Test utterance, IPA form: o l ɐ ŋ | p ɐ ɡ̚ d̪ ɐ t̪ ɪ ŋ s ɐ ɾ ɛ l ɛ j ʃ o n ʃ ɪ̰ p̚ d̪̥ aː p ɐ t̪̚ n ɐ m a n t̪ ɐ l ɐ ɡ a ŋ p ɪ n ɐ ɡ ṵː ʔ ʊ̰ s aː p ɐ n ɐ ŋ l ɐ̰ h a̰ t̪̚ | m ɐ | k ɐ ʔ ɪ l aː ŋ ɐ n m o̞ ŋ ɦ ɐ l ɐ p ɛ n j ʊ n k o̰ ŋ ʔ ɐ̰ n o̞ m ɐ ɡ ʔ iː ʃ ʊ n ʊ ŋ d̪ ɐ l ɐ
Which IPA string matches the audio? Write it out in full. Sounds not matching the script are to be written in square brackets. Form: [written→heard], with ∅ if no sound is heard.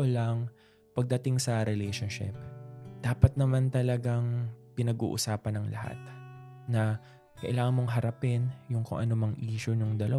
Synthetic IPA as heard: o l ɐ ŋ | p ɐ ɡ̚ d̪ ɐ t̪ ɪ ŋ s ɐ ɾ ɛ l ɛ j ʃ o n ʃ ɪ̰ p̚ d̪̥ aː p ɐ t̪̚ n ɐ m a n t̪ ɐ l ɐ ɡ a ŋ p ɪ n ɐ ɡ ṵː ʔ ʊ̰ s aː p ɐ n ɐ ŋ l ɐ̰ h a̰ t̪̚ | [m→n] ɐ | k ɐ ʔ ɪ l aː ŋ ɐ n m o̞ ŋ ɦ ɐ [l→ɾ] ɐ p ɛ n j ʊ [n→ŋ] k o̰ ŋ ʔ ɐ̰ n o̞ m ɐ [ɡ→ŋ] ʔ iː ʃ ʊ n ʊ ŋ d̪ ɐ l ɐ